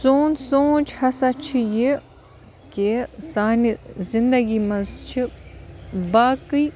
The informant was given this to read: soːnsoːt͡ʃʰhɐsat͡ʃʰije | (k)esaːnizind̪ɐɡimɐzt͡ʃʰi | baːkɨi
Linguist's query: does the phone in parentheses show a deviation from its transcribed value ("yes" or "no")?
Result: no